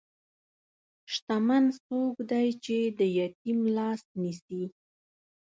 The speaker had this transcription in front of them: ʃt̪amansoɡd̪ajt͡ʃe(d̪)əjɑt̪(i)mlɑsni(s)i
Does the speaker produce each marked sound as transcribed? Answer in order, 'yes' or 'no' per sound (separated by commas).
yes, yes, yes